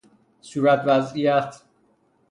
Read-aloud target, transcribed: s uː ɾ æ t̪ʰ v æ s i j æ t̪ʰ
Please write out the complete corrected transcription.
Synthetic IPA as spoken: s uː ɾ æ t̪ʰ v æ z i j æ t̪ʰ